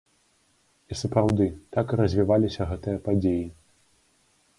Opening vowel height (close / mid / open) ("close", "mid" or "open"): close